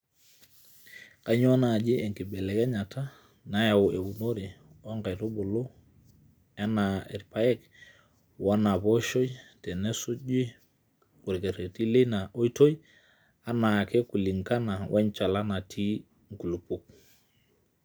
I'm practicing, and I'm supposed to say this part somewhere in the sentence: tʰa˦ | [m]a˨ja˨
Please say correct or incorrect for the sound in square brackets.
incorrect